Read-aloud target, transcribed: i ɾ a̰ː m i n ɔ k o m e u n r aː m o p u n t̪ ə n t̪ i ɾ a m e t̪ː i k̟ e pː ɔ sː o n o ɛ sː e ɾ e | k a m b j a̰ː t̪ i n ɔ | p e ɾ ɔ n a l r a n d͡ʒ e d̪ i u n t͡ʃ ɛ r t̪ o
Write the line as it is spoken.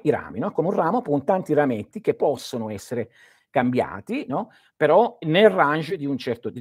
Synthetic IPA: i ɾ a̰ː m i n ɔ k o m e u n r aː m o p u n t̪ a n t̪ i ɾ a m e t̪ː i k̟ e pː ɔ sː o n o ɛ sː e ɾ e | k a m b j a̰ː t̪ i n ɔ | p e ɾ ɔ n e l r a n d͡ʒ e d̪ i u n t͡ʃ ɛ r t̪ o